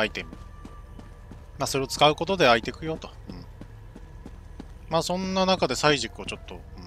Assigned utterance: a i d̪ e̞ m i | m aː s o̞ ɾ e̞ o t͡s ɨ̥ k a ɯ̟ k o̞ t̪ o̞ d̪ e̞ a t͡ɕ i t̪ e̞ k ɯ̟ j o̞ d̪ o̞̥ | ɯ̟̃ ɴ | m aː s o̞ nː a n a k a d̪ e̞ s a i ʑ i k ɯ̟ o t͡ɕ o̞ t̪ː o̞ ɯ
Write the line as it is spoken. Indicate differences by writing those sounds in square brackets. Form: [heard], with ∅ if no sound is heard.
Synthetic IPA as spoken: a i [t̪] e̞ m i | m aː s o̞ ɾ e̞ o t͡s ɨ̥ k a ɯ̟ k o̞ t̪ o̞ d̪ e̞ a [∅] i t̪ e̞ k ɯ̟ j o̞ [t̪] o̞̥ | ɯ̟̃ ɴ | m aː s [õ̞] nː a n a k a d̪ e̞ s a i ʑ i k ɯ̟ o t͡ɕ o̞ t̪ː o̞ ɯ

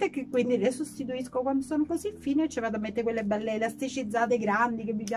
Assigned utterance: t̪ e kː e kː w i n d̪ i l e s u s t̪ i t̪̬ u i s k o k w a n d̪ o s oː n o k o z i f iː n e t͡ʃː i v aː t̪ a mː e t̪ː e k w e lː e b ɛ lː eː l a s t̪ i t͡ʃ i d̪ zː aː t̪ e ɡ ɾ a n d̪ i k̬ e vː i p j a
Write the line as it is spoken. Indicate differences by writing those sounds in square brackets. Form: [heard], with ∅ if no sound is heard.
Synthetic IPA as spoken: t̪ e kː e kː w i n d̪ i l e s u s t̪ i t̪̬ u i s k o k w a n d̪ o s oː n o k o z i f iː n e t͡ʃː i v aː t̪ a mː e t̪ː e k w e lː e b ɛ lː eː l a s t̪ i t͡ʃ i d̪ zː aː t̪ e ɡ ɾ a n d̪ i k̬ e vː i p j a

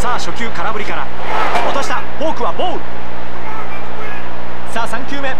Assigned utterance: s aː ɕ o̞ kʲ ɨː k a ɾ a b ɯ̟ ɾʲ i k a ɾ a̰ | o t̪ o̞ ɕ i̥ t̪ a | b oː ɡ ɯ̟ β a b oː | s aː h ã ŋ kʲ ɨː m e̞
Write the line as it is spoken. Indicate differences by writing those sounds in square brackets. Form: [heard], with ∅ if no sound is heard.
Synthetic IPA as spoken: s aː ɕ o̞ kʲ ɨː k a ɾ a b ɯ̟ ɾʲ i k a ɾ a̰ | o t̪ o̞ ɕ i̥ t̪ a | b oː [k] ɯ̟ β a b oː | s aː [s] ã ŋ kʲ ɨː m e̞

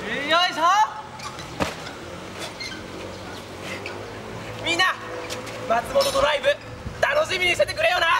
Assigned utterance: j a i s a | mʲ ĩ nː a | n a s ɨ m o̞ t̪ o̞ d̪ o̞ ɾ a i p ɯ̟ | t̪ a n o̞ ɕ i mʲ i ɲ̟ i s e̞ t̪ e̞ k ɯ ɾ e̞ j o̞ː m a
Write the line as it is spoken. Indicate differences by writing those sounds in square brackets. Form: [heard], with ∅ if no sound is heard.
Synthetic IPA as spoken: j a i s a | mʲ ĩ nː a | [m] a [t͡s] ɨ m o̞ t̪ o̞ d̪ o̞ ɾ a i [b] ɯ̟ | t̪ a n o̞ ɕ i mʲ i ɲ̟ i s e̞ t̪ e̞ k ɯ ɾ e̞ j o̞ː [n] a

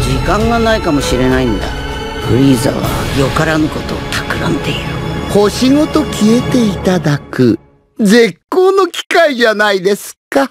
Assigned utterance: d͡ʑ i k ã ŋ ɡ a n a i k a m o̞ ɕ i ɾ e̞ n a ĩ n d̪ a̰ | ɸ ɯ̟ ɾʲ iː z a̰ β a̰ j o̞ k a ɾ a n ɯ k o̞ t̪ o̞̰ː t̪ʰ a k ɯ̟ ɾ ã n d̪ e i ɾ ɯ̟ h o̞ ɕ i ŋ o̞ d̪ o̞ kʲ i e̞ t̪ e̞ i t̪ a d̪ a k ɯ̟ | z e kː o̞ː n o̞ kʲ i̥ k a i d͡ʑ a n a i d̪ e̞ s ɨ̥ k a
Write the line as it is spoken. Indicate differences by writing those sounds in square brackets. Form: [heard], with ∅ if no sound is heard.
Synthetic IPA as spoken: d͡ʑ i k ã ŋ ɡ a n a i k a m o̞ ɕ i ɾ e̞ n a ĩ n d̪ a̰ | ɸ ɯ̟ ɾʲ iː z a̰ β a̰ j o̞ k a ɾ a n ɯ k o̞ t̪ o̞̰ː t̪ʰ a k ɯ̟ ɾ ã n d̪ e i ɾ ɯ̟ h o̞ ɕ i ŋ o̞ [t̪] o̞ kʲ i e̞ t̪ e̞ i t̪ a d̪ a k ɯ̟ | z e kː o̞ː n o̞ kʲ i̥ k a i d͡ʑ a n a i d̪ e̞ s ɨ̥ k a

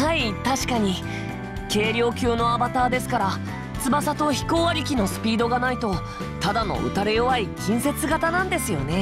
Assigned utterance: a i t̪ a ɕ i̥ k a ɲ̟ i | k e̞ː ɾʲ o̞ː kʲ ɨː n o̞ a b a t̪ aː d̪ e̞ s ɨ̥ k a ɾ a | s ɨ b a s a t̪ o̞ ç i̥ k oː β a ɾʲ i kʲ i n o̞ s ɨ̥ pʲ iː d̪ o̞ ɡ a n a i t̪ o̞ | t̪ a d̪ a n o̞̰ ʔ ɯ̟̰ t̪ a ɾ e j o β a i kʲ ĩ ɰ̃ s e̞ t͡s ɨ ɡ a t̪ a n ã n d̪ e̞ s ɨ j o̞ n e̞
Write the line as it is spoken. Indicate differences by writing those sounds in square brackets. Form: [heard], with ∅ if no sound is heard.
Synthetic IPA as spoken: a i t̪ a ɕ i̥ k a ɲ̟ i | k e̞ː ɾʲ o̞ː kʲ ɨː n o̞ a b a t̪ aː d̪ e̞ s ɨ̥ k a ɾ a | [t͡s] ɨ b a s a t̪ o̞ ç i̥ k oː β a ɾʲ i kʲ i n o̞ s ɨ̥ pʲ iː d̪ o̞ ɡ a n a i t̪ o̞ | t̪ a d̪ a n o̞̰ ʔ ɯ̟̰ t̪ a ɾ e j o β a i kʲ ĩ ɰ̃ s e̞ t͡s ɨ ɡ a t̪ a n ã n d̪ e̞ s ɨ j o̞ n e̞

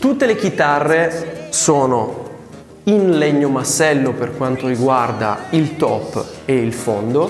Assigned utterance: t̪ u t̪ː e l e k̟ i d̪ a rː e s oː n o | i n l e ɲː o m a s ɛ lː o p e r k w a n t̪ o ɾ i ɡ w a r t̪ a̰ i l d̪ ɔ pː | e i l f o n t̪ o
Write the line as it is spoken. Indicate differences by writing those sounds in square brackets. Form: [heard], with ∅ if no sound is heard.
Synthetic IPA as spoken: t̪ u t̪ː e l e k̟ i [t̪] a rː e s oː n o | i n l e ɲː o m a s ɛ lː o p e r k w a n t̪ o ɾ i ɡ w a r [d̪] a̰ i l [t̪] ɔ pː | e i l f o n [d̪] o

